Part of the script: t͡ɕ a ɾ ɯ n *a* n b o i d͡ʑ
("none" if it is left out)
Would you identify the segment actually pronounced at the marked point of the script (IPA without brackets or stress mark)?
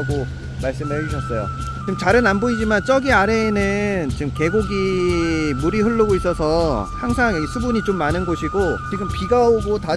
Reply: a